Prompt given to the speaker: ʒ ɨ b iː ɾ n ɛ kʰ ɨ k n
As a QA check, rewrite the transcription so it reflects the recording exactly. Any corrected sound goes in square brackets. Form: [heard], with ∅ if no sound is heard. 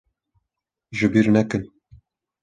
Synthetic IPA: ʒ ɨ b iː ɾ n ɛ [k] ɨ [∅] n